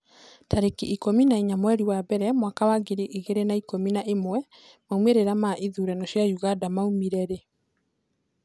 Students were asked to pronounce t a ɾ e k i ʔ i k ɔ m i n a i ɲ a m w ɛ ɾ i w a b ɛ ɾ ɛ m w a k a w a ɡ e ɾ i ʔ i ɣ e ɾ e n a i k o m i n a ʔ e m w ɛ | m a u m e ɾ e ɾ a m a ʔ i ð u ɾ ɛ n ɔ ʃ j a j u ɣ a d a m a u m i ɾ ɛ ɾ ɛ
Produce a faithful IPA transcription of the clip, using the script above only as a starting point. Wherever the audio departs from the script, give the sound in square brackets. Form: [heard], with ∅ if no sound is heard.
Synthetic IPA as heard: t a ɾ e k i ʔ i k [o] m i n a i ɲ a m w ɛ ɾ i w a b ɛ ɾ ɛ m w a k a w a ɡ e ɾ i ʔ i ɣ e ɾ e n a i k o m i n a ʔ e m w ɛ | m a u m e ɾ e ɾ a m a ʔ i ð u ɾ ɛ n ɔ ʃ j a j u ɣ a d a m a u m i ɾ ɛ ɾ [e]